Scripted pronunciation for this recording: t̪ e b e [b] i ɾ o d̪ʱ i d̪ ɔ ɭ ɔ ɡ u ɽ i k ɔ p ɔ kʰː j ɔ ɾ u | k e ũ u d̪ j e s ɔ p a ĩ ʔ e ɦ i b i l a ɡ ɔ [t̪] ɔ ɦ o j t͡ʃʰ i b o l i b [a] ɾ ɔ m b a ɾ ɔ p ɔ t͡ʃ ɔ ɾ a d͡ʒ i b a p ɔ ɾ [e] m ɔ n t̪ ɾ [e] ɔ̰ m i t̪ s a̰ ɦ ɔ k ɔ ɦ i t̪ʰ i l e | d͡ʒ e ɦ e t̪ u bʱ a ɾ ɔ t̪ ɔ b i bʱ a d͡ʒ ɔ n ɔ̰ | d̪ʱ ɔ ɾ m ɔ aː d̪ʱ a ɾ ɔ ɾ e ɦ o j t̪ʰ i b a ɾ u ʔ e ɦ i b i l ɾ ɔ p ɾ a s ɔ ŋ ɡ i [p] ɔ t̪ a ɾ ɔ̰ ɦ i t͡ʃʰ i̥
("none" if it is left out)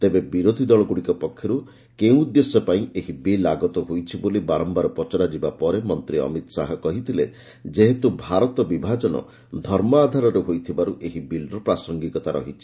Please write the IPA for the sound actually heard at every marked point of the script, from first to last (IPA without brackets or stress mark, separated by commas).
b, t̪, a, e, i, k